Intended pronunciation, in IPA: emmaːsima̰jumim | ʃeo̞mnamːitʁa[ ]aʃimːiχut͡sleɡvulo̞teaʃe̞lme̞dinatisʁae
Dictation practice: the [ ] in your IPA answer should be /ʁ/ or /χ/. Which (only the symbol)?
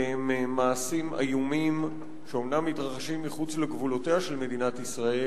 χ